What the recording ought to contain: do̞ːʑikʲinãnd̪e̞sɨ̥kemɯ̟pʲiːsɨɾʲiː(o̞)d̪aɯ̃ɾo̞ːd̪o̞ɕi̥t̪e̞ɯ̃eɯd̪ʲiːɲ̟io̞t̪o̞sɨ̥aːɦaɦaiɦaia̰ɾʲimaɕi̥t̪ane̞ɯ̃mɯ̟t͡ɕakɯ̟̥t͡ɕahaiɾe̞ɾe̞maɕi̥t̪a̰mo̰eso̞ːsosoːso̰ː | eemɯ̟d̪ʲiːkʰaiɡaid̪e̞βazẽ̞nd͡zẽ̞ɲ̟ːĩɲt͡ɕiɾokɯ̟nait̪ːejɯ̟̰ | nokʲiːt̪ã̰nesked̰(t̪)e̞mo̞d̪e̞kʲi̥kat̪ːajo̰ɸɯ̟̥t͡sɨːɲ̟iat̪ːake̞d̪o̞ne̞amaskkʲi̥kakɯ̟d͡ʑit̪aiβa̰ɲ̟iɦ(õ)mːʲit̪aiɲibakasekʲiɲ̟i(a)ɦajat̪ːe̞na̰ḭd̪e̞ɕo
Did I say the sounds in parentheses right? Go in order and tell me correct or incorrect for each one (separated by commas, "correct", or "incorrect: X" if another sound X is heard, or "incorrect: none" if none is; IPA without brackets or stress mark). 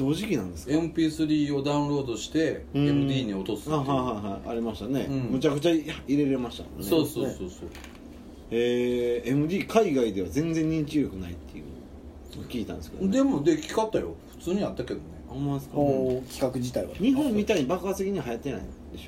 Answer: correct, incorrect: d̪, correct, correct